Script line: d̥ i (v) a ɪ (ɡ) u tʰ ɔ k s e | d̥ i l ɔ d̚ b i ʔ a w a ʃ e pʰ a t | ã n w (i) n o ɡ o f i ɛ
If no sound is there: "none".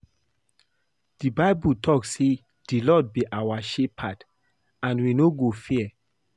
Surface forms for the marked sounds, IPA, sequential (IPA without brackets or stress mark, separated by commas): b, b, i